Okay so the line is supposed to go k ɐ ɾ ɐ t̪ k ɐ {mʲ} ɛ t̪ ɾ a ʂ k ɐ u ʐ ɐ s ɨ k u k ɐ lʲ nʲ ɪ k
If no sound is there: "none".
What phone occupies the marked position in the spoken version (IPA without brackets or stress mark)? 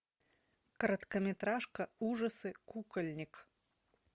mʲ